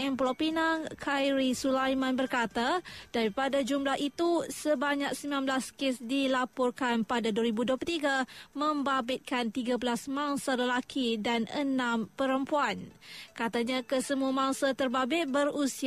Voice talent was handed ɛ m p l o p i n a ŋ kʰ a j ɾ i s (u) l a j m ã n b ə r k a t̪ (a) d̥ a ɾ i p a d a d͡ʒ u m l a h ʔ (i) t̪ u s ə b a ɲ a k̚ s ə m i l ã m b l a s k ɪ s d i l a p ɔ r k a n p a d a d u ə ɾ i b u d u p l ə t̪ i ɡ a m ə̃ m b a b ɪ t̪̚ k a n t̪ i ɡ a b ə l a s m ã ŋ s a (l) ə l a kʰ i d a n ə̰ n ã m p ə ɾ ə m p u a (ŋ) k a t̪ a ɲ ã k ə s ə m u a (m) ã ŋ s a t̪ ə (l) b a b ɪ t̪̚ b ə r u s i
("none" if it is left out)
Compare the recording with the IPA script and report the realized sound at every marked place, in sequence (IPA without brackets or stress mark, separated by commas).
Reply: u, a, i, l, n, m, r